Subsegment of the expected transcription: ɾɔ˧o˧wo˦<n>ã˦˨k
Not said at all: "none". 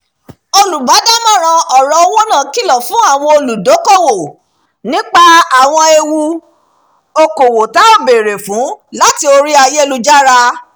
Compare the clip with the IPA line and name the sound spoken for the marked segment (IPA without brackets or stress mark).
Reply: n